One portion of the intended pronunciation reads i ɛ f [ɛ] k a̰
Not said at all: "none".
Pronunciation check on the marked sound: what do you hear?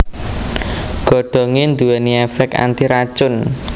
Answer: ɛ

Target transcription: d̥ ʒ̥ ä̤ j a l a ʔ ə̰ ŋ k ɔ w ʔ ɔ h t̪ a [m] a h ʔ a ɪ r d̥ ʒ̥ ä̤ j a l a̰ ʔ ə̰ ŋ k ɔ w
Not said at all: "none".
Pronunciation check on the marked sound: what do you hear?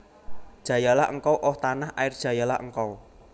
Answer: n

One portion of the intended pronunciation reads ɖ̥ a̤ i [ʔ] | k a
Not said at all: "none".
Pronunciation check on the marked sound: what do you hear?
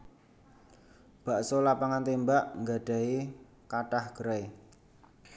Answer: none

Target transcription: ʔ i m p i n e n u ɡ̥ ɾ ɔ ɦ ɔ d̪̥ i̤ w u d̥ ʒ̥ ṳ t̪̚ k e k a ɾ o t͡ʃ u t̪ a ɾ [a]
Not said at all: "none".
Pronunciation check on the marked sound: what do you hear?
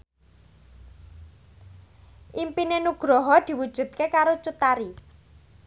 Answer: i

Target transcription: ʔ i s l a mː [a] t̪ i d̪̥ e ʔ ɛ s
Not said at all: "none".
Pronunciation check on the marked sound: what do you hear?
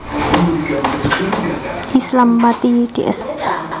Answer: a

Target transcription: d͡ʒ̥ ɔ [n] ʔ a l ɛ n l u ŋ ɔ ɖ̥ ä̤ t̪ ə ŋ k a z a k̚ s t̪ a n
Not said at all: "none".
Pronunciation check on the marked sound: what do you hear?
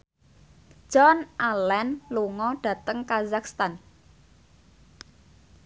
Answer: n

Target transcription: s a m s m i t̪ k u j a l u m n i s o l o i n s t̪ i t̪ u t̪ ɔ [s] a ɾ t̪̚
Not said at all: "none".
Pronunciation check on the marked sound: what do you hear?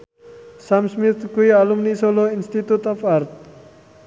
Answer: f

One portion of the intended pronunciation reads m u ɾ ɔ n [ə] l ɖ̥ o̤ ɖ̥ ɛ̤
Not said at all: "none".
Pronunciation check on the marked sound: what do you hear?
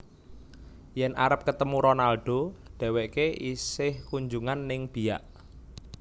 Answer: a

